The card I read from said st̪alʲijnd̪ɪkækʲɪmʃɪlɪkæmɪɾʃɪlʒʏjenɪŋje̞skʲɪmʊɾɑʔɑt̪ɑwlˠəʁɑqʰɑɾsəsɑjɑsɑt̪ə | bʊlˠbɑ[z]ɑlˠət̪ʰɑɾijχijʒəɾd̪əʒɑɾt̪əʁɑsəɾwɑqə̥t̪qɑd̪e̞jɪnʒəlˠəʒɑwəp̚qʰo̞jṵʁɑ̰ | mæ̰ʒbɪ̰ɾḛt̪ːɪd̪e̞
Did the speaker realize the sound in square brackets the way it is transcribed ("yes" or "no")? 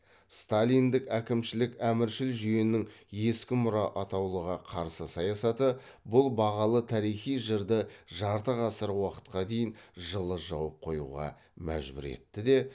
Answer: no